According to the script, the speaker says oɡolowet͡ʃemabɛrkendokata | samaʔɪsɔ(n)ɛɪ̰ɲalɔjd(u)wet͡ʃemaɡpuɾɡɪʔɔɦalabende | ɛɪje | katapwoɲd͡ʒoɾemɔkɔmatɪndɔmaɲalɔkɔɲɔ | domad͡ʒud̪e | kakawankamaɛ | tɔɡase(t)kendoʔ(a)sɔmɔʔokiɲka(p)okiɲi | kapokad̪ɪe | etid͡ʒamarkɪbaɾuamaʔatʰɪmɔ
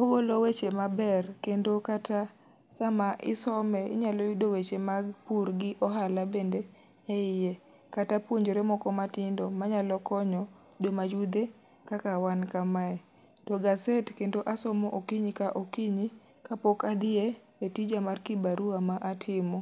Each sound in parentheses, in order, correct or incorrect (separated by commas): incorrect, incorrect, correct, correct, incorrect